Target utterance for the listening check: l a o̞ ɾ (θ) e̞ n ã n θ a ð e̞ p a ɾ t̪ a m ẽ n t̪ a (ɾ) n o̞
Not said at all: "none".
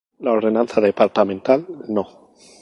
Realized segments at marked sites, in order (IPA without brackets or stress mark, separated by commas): ð, l